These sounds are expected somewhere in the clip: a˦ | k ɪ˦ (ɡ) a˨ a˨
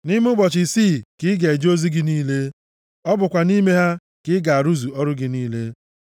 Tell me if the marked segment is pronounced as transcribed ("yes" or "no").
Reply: yes